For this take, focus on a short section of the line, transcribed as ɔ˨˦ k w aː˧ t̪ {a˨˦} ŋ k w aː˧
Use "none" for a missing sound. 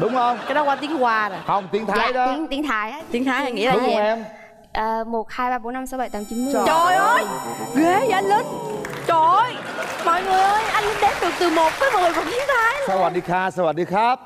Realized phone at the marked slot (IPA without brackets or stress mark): i˨˦